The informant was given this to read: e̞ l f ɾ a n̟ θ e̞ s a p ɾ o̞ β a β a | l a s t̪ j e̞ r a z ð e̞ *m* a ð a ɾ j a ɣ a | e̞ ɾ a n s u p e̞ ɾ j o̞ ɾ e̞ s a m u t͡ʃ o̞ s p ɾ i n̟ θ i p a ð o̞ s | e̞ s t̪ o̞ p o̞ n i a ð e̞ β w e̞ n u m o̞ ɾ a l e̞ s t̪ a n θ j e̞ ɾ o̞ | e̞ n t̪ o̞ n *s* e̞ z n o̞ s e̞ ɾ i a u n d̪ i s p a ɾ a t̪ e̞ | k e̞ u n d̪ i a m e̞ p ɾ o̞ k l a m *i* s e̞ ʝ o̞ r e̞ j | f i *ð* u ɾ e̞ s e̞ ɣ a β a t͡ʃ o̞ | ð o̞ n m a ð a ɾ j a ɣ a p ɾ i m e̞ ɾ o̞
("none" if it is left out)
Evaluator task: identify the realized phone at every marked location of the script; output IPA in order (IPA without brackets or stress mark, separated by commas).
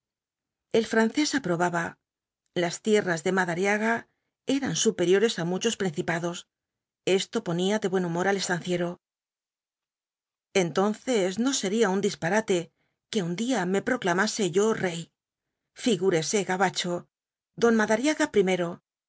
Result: m, θ, a, ɣ